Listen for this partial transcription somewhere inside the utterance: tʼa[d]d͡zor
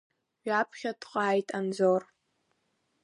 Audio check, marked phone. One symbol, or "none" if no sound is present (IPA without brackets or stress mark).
n